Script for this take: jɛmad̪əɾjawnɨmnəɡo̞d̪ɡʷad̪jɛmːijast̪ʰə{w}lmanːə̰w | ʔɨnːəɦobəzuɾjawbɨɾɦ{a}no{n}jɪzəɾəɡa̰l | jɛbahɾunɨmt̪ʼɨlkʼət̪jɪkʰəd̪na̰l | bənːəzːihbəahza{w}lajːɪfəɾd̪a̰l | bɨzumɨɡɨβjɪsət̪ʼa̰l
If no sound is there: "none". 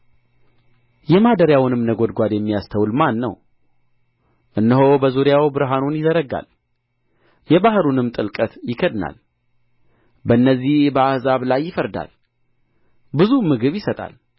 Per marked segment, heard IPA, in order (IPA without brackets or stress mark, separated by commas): w, a, n, β